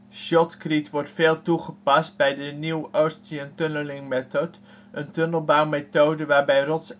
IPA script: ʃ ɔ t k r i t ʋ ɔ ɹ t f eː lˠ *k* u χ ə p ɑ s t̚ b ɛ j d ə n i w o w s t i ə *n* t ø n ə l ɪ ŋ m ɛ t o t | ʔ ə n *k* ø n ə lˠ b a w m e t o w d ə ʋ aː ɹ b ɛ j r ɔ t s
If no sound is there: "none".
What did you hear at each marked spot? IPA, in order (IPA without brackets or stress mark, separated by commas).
t, n, t